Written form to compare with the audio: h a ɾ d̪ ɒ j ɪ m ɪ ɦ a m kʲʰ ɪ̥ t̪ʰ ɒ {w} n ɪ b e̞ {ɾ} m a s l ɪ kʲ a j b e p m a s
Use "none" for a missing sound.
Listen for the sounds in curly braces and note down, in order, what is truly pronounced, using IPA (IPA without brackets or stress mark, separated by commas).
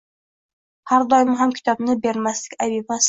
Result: b, ɾ